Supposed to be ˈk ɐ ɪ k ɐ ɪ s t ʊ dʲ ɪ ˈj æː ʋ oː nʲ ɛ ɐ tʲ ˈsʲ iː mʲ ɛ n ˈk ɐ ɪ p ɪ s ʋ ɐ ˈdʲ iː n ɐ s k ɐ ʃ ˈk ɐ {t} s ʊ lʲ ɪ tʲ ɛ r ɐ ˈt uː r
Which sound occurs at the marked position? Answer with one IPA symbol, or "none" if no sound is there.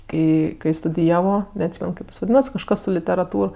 s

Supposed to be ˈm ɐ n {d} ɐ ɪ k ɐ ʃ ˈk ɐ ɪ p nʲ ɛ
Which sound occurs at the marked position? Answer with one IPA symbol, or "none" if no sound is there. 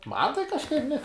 t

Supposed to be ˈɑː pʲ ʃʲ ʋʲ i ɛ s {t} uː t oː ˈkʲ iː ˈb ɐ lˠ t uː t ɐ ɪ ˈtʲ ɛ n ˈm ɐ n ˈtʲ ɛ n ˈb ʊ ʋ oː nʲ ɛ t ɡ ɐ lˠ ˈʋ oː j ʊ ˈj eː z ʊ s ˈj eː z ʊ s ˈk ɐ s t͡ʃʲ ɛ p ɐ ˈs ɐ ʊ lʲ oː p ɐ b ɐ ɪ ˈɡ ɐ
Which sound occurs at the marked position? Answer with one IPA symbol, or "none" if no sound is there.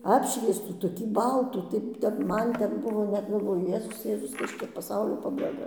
t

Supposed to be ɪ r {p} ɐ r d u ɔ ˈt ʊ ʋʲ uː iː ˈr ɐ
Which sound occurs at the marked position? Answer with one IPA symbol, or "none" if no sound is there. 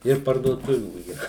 p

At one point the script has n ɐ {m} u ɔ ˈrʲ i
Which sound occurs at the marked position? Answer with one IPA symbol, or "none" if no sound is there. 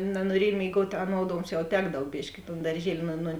n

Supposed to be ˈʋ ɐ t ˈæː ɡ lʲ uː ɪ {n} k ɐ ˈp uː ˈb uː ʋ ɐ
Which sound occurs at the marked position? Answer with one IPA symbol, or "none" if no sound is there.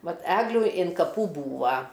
n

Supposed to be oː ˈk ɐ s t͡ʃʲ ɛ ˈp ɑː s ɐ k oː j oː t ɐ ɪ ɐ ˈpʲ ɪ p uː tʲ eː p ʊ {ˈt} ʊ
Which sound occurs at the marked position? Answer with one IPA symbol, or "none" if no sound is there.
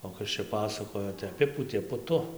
t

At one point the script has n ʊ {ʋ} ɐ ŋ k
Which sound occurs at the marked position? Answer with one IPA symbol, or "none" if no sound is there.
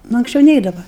none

